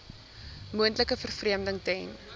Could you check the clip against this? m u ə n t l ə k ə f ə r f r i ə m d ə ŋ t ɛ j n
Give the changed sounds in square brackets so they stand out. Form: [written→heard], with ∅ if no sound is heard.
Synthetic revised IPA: m u ə n t l ə k ə f ə r f r i ə m d ə ŋ t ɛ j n